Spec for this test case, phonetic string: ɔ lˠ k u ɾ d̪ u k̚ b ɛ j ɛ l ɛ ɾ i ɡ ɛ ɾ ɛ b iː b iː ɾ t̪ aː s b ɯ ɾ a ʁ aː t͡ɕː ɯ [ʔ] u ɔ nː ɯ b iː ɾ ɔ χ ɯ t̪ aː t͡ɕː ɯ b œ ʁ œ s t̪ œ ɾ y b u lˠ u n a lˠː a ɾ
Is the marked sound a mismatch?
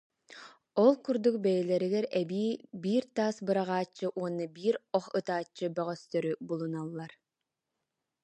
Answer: no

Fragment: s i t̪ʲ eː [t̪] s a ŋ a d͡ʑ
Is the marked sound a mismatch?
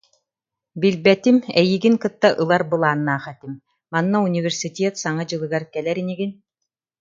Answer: no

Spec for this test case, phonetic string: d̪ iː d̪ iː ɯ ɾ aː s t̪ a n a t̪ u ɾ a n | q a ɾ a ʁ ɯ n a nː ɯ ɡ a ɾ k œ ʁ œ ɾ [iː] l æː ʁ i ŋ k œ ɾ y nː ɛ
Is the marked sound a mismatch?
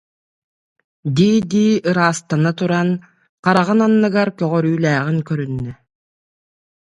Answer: yes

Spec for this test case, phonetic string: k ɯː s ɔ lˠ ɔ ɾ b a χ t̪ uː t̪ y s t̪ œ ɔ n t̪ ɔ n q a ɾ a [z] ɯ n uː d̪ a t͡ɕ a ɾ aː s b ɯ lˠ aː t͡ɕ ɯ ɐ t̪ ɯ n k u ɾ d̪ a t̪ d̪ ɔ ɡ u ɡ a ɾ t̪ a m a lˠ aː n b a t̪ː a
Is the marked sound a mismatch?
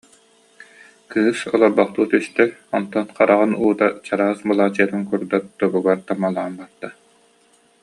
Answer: yes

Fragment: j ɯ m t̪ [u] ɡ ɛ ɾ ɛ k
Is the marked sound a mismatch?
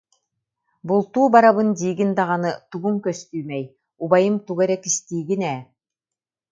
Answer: no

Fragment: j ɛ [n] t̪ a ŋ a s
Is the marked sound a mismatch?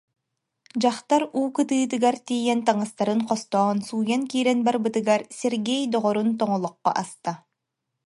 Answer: no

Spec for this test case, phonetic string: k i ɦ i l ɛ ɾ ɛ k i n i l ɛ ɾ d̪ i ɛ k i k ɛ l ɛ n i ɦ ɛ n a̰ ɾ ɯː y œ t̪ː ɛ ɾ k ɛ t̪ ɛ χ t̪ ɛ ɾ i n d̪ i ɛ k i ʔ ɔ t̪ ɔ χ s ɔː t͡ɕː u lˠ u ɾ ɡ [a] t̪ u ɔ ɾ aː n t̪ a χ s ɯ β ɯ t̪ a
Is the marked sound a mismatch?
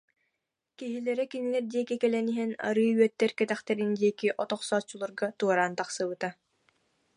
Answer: no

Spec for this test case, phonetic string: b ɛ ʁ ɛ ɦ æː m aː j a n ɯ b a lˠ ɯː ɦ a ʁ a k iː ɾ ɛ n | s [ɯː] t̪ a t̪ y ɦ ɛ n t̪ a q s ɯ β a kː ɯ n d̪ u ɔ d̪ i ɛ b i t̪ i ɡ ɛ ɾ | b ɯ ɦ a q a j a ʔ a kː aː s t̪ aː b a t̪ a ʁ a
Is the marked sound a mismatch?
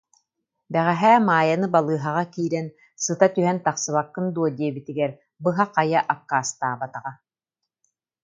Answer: yes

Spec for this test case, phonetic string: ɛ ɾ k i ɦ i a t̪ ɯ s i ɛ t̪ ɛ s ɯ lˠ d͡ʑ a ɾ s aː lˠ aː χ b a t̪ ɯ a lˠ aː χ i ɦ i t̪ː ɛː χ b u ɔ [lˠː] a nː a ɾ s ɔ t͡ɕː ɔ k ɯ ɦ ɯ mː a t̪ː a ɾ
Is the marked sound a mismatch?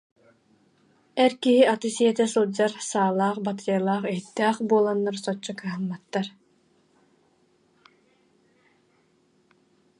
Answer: yes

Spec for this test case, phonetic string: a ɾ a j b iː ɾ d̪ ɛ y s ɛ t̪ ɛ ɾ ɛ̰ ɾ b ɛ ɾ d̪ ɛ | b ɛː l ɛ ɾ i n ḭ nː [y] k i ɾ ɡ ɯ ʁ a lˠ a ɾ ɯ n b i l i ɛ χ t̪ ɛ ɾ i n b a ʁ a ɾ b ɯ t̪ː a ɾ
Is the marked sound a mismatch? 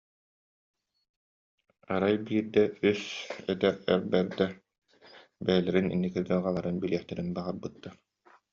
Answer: yes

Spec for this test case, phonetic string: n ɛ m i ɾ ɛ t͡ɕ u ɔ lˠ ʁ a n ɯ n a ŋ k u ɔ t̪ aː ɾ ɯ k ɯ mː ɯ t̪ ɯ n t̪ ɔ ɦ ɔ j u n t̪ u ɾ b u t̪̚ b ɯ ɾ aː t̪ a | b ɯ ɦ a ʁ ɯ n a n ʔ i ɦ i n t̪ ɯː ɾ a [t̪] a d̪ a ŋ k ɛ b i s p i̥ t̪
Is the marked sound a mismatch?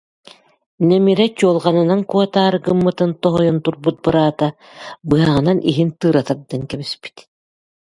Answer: no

